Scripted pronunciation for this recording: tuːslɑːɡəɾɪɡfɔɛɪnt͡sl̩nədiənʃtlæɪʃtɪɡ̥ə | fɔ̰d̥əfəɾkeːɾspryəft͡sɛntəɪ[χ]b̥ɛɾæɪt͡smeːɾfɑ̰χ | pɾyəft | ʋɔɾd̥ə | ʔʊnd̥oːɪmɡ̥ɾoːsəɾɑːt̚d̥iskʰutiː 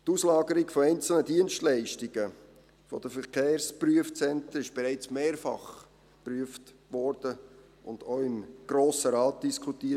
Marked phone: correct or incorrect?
incorrect